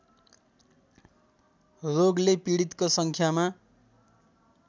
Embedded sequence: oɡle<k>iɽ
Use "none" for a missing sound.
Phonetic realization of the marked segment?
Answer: p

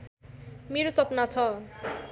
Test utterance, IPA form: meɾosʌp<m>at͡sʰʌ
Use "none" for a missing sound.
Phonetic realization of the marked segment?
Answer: n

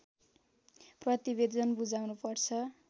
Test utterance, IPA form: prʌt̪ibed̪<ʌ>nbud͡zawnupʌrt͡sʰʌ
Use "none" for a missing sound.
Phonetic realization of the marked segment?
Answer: ʌ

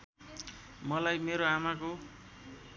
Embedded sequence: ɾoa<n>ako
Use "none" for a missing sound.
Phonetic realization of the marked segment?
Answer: m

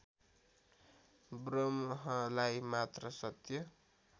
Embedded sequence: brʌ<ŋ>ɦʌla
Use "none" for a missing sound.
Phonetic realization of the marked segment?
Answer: m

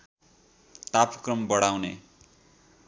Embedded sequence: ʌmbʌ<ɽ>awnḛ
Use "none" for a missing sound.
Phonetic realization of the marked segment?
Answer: ɽ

